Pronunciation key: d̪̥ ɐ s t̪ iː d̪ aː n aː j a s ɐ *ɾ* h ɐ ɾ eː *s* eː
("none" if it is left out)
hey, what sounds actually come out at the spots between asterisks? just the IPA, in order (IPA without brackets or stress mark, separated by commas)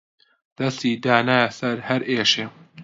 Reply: ɾ, ʃ